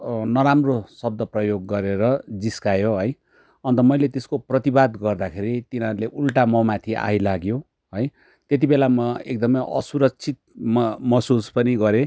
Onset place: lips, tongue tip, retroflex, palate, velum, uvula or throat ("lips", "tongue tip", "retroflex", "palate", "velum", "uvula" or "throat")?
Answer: tongue tip